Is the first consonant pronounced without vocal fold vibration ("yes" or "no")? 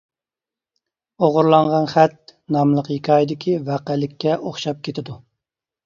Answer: no